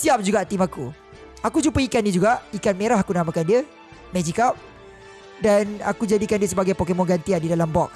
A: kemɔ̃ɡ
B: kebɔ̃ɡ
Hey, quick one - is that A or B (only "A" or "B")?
A